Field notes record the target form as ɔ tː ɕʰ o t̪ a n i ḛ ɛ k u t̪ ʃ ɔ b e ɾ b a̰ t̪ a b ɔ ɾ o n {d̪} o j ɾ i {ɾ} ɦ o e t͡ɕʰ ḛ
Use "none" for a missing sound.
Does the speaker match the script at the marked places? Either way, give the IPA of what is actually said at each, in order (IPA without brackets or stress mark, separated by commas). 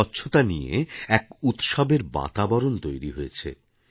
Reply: t̪, none